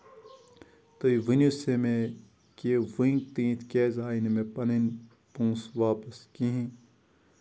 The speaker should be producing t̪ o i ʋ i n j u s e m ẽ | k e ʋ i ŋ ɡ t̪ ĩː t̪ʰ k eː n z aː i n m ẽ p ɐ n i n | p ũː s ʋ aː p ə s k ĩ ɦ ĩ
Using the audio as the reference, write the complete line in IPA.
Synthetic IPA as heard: t̪ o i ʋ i n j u s e m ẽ | k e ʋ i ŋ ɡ t̪ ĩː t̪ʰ k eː z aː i n m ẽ p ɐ n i n | p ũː s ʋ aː p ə s k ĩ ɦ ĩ